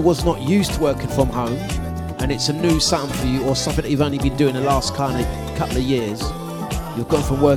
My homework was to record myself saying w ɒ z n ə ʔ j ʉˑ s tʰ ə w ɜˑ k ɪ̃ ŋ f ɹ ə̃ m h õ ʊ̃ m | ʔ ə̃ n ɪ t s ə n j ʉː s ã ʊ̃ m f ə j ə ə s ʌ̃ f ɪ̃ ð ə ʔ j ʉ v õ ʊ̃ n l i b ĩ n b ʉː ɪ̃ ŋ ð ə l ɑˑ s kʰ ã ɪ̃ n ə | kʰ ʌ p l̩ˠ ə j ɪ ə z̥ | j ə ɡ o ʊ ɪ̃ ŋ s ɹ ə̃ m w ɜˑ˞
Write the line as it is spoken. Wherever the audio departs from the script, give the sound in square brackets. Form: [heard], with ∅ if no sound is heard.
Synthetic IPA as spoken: w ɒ z n ə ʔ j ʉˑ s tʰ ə w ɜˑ k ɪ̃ ŋ f ɹ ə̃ m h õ ʊ̃ m | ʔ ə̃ n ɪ t s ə n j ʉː s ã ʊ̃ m f ə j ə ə s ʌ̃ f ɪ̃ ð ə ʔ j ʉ v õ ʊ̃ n l i b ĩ n [d] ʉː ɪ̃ ŋ ð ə l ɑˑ s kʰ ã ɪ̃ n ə | kʰ ʌ p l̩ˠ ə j ɪ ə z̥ | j ə ɡ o ʊ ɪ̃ ŋ [f] ɹ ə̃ m w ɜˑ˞